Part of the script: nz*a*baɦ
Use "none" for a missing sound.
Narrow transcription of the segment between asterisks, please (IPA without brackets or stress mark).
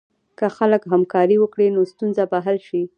a